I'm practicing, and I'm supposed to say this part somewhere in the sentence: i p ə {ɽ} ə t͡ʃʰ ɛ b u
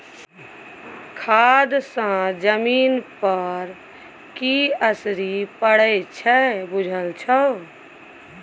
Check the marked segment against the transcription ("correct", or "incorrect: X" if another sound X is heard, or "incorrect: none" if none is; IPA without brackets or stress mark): correct